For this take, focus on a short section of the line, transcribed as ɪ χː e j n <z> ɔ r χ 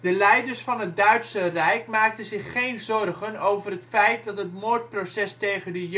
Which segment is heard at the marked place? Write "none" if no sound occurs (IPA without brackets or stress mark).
z